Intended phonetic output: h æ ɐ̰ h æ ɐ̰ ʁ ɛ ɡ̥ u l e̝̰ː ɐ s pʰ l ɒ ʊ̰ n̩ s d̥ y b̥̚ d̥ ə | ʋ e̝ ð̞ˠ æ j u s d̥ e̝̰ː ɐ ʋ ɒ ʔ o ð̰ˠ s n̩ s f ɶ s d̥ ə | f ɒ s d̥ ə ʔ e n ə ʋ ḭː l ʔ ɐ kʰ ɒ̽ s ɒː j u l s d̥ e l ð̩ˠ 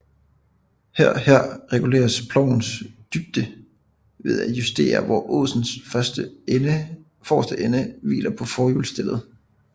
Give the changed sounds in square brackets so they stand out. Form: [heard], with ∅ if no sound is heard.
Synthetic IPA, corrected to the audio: h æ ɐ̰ h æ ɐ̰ ʁ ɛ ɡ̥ u l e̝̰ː ɐ s pʰ l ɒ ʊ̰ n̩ s d̥ y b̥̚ d̥ ə | ʋ e̝ ð̞ˠ æ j u s d̥ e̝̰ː ɐ ʋ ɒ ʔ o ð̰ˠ s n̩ s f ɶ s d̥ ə | f ɒ s d̥ ə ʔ e n ə ʋ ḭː l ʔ ɐ [pʰ] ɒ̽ [f] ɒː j u l s d̥ e l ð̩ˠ